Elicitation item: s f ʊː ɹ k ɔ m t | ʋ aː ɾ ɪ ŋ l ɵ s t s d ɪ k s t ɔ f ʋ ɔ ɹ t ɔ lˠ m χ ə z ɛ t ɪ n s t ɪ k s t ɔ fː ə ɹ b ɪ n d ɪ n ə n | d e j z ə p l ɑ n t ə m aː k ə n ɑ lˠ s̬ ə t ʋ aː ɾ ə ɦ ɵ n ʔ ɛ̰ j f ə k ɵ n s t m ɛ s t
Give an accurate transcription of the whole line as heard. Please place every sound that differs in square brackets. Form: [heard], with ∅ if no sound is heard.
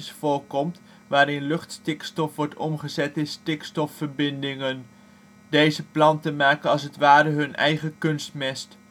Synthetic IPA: s f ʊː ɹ k ɔ m t | ʋ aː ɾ ɪ [n] l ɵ [χ] t s [t] ɪ k s t ɔ f ʋ ɔ ɹ t ɔ [∅] m χ ə z ɛ t ɪ n s t ɪ k s t ɔ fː ə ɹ b ɪ n d ɪ [ŋ] ə n | d e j z ə p l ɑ n t ə m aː k ə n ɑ lˠ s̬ ə t ʋ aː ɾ ə ɦ ɵ n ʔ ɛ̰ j [χ] ə k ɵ n s t m ɛ s t